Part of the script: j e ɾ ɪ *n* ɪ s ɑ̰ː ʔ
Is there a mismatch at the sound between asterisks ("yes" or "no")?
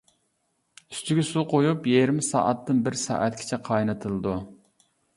yes